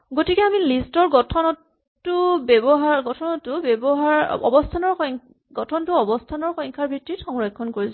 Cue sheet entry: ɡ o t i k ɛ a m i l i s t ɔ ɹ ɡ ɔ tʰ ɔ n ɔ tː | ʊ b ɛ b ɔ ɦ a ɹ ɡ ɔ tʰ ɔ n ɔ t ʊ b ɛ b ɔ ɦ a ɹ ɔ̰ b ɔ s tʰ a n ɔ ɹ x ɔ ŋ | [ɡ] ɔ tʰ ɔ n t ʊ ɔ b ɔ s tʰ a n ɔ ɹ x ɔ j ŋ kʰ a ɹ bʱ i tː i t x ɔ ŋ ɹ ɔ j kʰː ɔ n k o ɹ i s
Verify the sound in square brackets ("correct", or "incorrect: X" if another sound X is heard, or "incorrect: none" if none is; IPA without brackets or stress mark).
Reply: correct